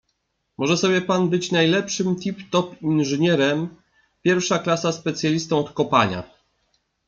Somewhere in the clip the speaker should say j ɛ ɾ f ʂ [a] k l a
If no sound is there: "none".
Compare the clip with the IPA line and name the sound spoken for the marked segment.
a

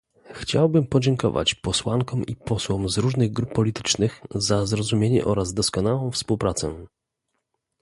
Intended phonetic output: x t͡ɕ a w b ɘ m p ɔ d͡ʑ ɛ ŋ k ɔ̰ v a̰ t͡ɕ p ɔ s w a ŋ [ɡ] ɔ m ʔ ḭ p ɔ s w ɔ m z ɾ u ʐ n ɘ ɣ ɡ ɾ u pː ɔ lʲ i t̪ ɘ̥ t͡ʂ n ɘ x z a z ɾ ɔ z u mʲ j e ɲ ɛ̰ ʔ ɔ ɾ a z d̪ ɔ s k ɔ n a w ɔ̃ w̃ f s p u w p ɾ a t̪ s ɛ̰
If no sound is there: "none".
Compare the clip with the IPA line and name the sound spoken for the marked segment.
k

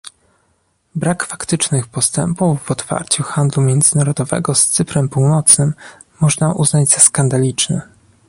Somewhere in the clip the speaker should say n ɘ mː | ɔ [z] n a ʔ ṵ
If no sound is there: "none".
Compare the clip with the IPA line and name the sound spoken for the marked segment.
ʐ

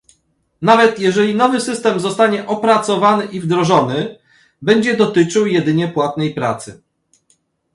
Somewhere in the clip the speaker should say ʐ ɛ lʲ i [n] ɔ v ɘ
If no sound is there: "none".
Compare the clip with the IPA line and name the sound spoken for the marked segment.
n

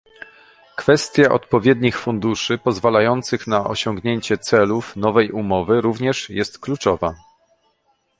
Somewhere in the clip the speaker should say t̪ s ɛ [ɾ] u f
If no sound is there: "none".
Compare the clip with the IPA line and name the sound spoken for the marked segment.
l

